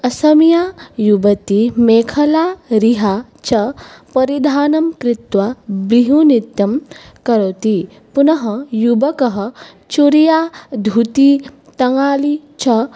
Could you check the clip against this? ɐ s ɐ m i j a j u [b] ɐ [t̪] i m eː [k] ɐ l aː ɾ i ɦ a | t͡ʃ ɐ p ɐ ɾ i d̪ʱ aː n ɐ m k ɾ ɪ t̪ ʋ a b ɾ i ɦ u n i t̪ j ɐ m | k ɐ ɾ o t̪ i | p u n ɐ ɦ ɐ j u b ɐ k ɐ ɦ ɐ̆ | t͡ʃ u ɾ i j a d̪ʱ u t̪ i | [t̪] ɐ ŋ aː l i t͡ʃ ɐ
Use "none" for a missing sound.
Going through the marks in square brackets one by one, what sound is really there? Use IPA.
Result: b, t̪, kʰ, t̪

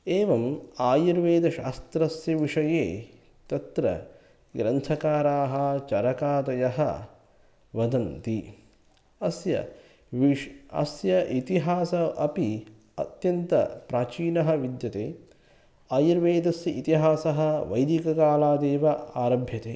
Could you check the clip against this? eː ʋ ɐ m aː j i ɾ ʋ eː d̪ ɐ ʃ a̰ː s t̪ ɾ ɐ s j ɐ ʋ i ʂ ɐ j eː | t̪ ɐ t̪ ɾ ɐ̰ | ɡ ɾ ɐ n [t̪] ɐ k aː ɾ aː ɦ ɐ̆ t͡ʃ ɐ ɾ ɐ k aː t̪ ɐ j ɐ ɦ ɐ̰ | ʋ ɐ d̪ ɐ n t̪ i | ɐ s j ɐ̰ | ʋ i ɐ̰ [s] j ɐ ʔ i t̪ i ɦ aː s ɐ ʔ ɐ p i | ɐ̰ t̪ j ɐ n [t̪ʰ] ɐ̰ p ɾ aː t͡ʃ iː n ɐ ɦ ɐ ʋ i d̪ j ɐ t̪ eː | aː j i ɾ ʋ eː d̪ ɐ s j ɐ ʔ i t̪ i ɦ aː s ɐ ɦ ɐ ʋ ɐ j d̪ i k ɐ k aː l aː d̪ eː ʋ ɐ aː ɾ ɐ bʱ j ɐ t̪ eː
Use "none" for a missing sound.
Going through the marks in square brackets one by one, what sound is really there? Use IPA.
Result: t̪ʰ, s, t̪

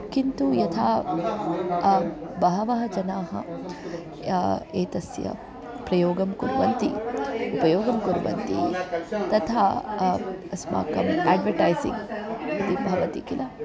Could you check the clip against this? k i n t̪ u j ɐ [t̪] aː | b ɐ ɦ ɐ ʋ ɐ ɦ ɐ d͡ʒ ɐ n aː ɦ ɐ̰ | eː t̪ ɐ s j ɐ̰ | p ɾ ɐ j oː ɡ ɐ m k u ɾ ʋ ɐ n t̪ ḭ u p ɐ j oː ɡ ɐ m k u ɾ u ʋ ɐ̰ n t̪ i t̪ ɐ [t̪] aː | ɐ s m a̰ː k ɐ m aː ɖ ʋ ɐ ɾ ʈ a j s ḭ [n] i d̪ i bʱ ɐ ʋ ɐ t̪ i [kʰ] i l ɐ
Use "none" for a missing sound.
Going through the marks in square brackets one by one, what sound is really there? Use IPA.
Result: t̪ʰ, t̪ʰ, ŋ, k

